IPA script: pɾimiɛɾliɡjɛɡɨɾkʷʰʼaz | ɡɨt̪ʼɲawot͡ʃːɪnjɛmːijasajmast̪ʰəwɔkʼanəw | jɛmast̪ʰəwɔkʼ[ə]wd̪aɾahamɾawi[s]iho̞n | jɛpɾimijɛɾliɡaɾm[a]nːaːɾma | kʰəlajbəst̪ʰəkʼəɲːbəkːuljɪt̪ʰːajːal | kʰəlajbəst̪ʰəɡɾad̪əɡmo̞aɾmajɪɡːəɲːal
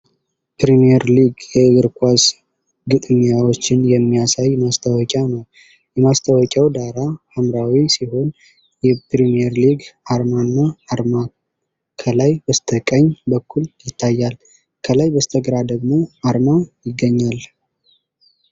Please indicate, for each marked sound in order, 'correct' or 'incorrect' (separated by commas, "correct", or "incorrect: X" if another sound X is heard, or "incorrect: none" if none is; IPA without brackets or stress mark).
incorrect: a, correct, correct